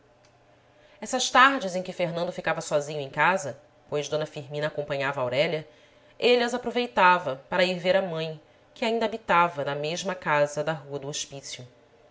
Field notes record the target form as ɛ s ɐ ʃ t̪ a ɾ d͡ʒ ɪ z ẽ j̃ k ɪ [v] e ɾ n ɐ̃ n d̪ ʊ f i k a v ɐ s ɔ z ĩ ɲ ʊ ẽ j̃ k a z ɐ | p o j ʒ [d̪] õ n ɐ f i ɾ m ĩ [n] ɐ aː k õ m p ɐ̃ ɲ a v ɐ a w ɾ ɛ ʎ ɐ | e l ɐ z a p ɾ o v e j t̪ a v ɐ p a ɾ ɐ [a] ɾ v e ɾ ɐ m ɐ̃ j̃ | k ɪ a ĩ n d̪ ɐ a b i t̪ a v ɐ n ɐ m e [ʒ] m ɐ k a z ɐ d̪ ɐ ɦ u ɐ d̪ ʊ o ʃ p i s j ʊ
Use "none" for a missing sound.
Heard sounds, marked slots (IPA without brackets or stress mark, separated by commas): f, d̪, n, i, ʒ